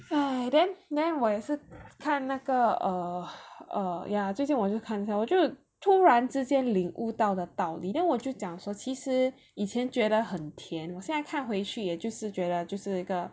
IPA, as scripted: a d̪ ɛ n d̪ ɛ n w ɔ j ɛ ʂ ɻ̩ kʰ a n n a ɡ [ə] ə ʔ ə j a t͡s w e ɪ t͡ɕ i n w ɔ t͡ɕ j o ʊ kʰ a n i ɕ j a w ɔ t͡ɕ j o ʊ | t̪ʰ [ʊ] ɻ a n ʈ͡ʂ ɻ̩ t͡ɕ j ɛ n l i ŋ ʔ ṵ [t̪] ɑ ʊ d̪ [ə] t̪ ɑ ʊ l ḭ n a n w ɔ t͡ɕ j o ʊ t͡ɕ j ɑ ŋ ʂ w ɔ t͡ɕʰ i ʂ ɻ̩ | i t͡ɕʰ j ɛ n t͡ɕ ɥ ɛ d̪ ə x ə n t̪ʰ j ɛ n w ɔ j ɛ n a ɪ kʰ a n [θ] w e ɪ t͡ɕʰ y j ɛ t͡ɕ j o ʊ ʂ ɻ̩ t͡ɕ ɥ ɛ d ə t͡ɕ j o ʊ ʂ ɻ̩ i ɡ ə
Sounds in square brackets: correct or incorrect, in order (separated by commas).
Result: correct, incorrect, correct, correct, incorrect